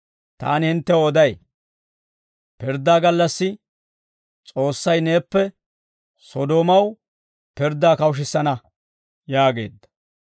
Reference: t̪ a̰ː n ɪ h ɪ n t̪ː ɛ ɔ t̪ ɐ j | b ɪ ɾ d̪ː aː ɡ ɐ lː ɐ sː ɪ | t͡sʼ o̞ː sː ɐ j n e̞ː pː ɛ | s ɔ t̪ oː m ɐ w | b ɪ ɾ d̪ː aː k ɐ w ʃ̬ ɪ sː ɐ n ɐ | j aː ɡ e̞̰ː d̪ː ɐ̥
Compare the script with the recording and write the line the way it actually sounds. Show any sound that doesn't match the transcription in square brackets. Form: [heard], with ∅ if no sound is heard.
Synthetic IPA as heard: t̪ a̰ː n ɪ h ɪ n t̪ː ɛ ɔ [d̪] ɐ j | [p] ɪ ɾ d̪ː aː ɡ ɐ lː ɐ sː ɪ | t͡sʼ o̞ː sː ɐ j n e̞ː pː ɛ | s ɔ [d̪] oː m ɐ w | [p] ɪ ɾ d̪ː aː k ɐ w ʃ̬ ɪ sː ɐ n ɐ | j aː ɡ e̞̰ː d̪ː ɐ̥